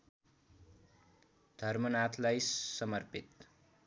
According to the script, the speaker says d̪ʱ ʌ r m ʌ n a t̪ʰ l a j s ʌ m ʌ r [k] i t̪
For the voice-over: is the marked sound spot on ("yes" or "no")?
no